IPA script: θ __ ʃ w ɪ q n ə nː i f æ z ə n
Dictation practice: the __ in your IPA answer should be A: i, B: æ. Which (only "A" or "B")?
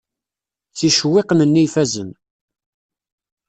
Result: A